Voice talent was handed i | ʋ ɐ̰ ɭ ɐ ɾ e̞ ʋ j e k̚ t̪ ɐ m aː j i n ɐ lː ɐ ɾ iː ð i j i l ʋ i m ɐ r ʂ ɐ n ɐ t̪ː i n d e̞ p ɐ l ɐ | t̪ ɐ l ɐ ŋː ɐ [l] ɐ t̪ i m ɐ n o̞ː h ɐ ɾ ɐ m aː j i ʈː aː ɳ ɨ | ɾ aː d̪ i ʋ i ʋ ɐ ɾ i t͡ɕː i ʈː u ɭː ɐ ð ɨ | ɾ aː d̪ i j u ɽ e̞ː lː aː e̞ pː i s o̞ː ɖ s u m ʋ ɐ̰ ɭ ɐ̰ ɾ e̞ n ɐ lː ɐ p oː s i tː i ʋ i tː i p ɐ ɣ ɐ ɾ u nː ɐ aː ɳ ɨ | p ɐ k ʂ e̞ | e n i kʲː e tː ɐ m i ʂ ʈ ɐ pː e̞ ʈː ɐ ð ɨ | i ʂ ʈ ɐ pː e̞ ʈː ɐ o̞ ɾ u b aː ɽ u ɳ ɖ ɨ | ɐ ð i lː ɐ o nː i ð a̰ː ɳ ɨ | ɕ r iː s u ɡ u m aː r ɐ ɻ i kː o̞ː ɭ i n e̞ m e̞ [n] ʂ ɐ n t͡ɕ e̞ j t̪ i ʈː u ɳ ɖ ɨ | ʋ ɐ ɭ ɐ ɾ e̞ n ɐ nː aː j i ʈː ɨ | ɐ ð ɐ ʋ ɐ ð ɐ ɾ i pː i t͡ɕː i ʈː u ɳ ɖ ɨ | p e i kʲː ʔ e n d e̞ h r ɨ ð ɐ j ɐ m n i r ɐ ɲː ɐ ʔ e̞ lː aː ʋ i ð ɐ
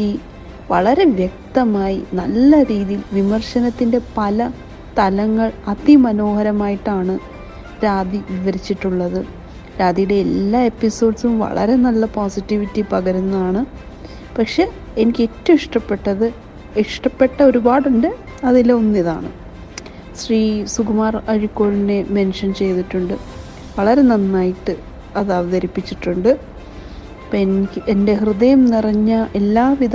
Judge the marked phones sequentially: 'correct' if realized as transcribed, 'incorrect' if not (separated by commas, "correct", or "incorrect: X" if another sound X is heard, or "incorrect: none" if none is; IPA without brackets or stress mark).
incorrect: ɭ, correct